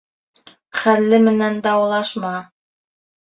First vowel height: low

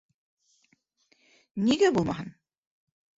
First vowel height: high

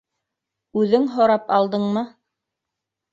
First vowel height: high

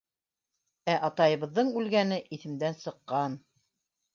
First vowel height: low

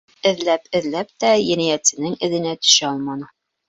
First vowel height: mid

